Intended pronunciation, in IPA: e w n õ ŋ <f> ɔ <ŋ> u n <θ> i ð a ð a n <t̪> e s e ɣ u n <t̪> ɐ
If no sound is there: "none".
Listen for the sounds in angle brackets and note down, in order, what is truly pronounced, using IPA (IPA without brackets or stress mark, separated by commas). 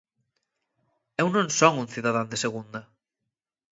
s, ŋ, θ, d̪, d̪